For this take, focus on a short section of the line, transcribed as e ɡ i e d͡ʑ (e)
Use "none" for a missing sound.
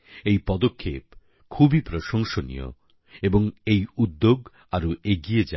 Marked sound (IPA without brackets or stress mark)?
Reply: a